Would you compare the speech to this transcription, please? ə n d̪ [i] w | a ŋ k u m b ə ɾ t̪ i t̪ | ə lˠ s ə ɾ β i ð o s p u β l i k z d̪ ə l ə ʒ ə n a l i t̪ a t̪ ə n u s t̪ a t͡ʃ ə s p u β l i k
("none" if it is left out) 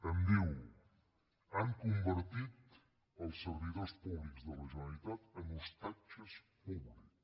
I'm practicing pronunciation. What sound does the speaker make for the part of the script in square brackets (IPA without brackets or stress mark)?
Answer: i